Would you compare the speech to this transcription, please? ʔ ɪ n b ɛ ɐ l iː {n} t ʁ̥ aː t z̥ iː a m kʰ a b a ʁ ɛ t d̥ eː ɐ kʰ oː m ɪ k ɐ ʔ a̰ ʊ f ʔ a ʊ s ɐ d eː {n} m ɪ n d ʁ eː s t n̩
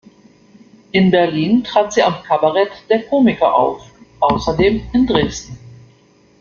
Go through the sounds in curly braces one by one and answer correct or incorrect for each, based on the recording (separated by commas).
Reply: correct, incorrect